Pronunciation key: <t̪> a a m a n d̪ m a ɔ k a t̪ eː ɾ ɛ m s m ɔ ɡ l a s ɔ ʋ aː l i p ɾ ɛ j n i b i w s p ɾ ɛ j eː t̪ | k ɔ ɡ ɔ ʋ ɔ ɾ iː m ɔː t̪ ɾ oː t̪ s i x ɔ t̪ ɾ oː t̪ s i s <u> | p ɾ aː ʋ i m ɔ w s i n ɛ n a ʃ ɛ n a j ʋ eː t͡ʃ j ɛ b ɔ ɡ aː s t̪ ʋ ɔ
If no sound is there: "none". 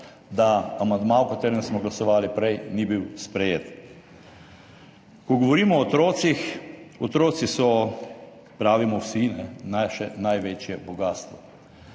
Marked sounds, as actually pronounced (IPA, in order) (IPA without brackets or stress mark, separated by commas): d̪, ɔ